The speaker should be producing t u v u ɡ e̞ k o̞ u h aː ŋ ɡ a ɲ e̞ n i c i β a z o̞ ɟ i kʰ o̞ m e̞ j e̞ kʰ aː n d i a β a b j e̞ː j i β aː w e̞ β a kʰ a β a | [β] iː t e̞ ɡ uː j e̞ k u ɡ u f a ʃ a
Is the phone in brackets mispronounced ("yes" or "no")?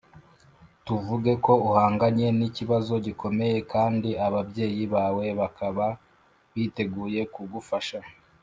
no